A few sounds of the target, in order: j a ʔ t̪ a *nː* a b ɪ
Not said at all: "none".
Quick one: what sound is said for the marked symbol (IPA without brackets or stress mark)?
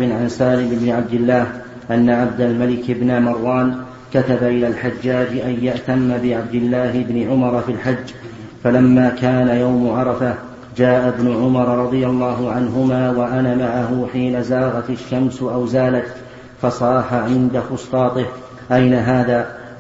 mː